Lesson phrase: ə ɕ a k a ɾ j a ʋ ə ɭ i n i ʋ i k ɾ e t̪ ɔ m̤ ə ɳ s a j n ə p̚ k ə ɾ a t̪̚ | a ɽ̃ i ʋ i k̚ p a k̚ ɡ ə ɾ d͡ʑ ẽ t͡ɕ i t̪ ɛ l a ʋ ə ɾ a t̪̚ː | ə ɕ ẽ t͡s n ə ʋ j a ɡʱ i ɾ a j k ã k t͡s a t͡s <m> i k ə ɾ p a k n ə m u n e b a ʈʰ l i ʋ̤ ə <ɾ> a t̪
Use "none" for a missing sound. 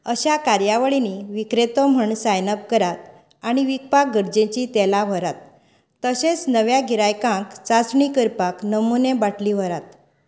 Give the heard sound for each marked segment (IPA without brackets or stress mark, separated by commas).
ɳ, ɾ